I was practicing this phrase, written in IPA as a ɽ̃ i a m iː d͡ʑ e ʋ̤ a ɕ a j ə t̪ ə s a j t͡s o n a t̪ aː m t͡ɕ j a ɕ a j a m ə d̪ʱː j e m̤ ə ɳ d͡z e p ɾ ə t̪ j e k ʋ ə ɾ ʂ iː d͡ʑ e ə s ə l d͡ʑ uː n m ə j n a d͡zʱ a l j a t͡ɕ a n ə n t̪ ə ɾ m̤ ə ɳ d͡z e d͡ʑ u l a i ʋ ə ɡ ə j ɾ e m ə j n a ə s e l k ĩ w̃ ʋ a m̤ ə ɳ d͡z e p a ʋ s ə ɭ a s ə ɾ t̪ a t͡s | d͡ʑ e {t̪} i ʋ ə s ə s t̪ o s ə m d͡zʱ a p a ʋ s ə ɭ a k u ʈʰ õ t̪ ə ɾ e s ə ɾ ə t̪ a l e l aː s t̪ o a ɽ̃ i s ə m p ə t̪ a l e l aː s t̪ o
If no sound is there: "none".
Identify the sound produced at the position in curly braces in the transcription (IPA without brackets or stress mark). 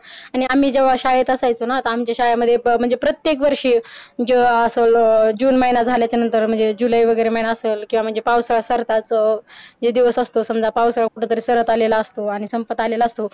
d̪